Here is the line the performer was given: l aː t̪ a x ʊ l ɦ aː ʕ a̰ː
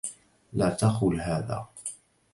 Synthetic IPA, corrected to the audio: l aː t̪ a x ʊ l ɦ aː ð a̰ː